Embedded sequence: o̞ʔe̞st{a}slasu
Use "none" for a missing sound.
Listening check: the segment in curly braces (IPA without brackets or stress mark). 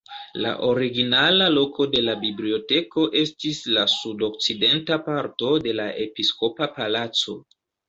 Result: i